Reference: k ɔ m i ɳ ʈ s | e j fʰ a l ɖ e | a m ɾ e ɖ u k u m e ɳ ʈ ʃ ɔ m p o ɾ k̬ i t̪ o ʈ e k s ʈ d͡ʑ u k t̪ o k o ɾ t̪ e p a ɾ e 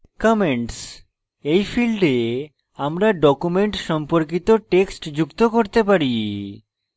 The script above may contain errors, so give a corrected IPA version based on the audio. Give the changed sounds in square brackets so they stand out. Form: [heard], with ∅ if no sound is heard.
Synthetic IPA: k ɔ m [e] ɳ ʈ s | e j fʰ [i] l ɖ e | a m ɾ [a] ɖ [ɔ] k u m e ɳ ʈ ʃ ɔ m p o ɾ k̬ i t̪ o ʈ e k s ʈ d͡ʑ u k t̪ o k o ɾ t̪ e p a ɾ [i]